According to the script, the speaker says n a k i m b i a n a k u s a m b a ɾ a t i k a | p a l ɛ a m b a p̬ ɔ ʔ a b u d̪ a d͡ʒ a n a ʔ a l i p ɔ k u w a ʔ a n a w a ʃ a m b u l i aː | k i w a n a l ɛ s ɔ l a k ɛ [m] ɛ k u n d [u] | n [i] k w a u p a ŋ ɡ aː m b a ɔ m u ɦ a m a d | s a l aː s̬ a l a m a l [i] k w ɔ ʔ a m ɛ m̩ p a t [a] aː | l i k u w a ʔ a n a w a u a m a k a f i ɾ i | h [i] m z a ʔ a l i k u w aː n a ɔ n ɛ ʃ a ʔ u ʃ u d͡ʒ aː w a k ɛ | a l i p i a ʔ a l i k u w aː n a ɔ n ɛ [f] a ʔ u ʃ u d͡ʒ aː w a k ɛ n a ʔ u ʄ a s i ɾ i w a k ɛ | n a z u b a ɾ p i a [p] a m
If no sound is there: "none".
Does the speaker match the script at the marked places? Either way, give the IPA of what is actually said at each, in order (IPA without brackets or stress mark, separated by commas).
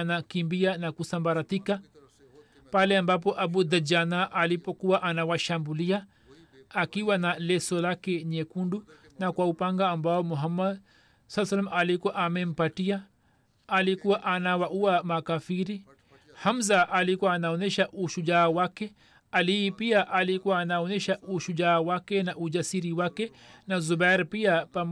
ɲ, u, a, i, i, a, ʃ, p